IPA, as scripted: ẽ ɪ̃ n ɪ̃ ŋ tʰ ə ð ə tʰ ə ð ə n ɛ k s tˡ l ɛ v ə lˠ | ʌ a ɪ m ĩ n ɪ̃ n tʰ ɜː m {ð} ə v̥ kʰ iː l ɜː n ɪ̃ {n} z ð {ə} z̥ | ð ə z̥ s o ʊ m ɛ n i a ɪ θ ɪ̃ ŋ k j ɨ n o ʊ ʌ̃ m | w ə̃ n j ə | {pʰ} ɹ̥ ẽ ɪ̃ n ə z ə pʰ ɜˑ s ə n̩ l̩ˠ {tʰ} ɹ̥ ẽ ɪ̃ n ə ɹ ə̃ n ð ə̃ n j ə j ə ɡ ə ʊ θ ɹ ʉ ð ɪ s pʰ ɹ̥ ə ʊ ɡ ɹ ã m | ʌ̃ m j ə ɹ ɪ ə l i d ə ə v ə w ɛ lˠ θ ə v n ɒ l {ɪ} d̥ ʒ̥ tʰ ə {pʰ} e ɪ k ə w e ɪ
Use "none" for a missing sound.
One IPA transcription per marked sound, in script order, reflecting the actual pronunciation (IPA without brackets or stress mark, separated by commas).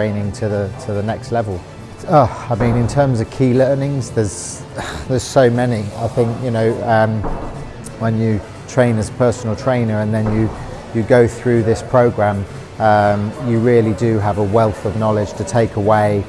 z, ŋ, ə, tʰ, tʰ, ɪ, tʰ